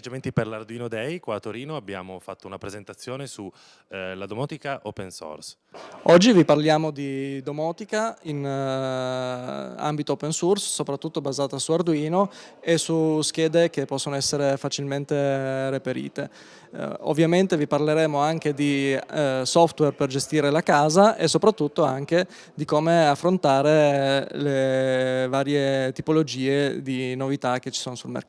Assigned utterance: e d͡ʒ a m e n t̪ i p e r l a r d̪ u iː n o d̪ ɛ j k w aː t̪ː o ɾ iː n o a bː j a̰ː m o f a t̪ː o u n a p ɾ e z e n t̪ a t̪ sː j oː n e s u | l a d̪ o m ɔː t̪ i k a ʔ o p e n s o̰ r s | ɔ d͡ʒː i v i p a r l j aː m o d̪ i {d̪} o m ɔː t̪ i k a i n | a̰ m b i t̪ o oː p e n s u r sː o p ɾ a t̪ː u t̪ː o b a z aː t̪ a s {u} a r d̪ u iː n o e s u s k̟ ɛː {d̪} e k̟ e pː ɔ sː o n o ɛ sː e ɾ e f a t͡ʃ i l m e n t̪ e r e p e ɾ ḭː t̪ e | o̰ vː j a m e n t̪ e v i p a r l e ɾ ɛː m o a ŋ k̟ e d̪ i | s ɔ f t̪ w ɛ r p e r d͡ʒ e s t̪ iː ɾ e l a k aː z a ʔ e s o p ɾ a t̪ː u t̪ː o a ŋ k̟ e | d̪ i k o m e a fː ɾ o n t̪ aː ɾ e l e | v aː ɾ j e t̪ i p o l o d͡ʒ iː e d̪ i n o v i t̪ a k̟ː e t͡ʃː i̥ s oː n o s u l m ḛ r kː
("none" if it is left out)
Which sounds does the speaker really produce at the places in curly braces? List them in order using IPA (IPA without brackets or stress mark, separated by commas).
d̪, u, d̪